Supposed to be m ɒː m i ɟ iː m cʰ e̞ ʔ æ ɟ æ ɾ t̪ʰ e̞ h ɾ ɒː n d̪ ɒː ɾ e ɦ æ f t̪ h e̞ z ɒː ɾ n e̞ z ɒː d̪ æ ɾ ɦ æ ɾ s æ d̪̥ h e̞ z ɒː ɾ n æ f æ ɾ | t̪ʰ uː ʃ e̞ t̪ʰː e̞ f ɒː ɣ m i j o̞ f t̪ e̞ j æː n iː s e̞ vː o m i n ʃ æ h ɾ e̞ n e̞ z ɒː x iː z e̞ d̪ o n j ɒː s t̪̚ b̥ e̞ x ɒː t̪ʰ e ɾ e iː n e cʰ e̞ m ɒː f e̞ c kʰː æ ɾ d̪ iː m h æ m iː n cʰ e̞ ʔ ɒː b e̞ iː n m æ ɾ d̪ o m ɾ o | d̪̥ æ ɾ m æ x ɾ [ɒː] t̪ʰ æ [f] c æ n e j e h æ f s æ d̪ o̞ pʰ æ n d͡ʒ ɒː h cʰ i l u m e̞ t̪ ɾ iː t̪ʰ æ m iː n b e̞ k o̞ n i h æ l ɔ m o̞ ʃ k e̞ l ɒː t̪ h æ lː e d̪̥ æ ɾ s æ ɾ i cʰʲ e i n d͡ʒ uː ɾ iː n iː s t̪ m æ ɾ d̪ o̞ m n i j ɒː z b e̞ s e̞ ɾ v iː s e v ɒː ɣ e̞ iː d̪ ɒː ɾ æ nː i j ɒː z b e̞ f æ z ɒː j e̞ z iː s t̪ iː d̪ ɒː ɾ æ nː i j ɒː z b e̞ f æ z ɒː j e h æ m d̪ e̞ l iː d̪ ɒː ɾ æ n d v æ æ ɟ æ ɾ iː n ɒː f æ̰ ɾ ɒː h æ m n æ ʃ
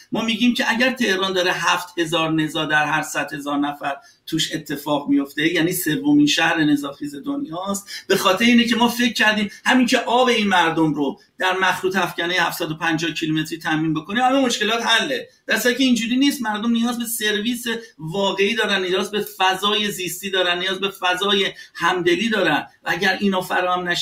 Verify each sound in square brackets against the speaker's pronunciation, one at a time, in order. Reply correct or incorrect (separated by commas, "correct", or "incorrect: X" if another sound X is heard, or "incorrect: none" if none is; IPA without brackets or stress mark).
incorrect: uː, correct